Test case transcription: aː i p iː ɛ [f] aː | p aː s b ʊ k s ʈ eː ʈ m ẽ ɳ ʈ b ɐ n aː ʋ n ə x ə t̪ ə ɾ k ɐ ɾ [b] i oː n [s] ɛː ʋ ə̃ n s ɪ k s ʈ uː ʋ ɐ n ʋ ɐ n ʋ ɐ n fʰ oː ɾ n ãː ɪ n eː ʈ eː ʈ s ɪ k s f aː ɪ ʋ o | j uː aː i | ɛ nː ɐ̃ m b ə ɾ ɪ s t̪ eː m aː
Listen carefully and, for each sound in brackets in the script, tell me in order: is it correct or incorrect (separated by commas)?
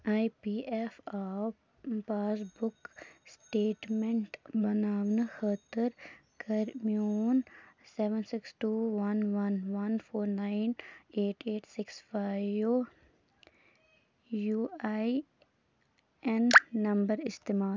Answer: correct, incorrect, correct